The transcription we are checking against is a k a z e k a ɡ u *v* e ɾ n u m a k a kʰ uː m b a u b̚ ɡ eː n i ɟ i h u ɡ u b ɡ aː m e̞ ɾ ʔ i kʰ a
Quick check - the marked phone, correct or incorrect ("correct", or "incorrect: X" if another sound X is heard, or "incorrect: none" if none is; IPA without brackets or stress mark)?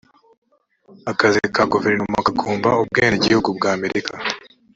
correct